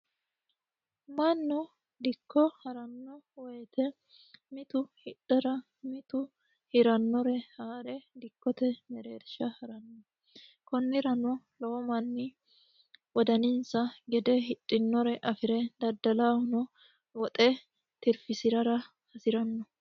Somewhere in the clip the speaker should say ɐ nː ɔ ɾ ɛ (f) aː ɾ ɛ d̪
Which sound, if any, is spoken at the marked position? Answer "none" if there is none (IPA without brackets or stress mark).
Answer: h